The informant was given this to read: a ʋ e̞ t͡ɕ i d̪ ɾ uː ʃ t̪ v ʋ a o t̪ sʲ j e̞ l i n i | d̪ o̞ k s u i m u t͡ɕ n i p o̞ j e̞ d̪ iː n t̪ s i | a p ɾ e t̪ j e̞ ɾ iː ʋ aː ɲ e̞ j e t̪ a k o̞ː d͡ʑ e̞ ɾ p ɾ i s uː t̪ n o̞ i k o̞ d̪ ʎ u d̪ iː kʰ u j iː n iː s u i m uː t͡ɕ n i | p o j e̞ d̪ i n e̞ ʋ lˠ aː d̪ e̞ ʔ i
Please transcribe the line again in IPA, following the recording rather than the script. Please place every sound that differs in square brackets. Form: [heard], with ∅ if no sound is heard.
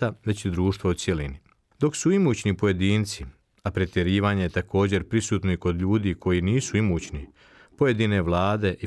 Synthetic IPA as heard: a ʋ e̞ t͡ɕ i d̪ ɾ uː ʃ t̪ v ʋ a [u] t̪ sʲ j e̞ l i n i | d̪ o̞ k s u i m u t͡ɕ n i p o̞ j e̞ d̪ iː n t̪ s i | a p ɾ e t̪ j e̞ ɾ iː ʋ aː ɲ e̞ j e t̪ a k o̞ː d͡ʑ e̞ ɾ p ɾ i s uː t̪ n o̞ i k o̞ d̪ ʎ [uː] d̪ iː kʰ [o] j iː n iː s u i m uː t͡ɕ n i | p o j e̞ d̪ i n e̞ ʋ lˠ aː d̪ e̞ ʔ i